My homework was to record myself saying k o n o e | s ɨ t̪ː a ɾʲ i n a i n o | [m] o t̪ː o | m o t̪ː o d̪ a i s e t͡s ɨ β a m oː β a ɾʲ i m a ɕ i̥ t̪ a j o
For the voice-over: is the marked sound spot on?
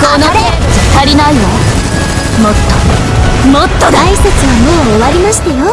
yes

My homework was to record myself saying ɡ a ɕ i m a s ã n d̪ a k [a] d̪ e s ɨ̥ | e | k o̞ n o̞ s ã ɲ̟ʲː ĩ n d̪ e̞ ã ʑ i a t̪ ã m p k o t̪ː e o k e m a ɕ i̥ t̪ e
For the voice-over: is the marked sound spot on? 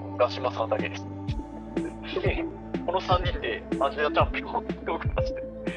no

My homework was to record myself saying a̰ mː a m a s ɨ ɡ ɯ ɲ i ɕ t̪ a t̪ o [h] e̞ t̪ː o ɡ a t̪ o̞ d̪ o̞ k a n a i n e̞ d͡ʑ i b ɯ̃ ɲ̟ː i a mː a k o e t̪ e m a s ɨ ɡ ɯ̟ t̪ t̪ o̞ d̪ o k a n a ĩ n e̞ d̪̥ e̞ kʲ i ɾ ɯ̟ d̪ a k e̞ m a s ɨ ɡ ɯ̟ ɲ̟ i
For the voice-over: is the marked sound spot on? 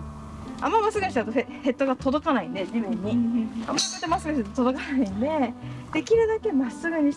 yes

